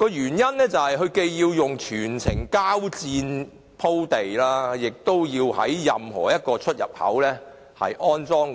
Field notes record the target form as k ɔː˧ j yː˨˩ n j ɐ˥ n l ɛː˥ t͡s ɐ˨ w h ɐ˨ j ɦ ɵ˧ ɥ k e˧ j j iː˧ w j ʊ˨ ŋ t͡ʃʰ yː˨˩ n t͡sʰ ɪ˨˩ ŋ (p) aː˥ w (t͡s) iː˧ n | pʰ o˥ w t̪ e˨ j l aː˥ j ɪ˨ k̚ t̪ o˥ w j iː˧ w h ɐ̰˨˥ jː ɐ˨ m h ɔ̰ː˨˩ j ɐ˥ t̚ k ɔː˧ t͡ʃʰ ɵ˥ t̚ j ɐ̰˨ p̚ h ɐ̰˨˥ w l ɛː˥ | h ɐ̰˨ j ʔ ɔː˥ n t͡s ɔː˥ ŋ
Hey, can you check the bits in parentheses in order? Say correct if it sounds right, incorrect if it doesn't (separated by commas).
incorrect, correct